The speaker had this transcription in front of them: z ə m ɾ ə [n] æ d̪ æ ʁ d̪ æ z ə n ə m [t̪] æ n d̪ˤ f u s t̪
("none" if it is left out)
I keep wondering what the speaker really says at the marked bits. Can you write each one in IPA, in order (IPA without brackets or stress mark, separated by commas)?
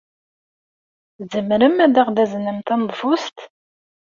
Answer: m, t̪